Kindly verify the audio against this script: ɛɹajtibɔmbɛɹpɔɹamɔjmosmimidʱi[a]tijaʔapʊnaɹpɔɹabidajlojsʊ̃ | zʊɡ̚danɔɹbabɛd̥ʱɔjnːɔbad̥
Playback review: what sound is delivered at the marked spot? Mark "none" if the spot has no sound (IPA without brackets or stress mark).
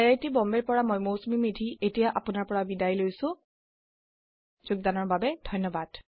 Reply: e